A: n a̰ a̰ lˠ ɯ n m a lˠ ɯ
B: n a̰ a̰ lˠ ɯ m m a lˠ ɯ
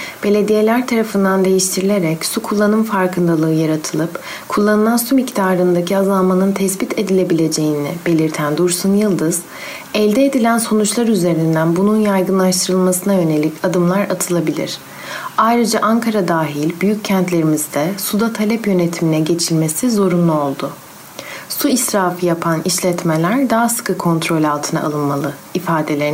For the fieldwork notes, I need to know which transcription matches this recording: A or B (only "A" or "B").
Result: A